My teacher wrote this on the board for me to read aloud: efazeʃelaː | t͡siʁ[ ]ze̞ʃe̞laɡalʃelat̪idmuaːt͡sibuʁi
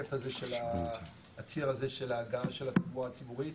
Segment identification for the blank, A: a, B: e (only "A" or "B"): A